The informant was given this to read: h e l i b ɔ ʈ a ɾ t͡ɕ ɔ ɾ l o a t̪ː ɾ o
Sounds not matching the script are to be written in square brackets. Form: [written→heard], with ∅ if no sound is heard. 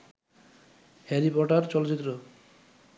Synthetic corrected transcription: h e [l→ɾ] i [b→p] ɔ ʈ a ɾ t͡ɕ ɔ [ɾ→∅] l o [a→i] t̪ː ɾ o

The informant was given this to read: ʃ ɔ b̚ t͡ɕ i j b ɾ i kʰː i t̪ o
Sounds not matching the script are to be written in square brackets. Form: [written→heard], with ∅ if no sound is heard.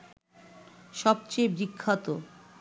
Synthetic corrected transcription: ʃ ɔ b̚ t͡ɕ [i→e] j b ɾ i kʰː [i→a] t̪ o

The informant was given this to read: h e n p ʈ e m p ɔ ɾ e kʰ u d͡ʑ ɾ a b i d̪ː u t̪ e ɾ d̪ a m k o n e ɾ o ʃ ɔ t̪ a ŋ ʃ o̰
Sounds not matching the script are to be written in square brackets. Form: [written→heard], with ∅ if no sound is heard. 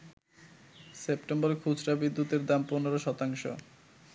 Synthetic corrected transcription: [h→s] e [n→∅] p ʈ e m [p→b] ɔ ɾ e kʰ u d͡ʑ ɾ a b i d̪ː u t̪ e ɾ d̪ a m [k→p] o n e ɾ o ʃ ɔ t̪ a ŋ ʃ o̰

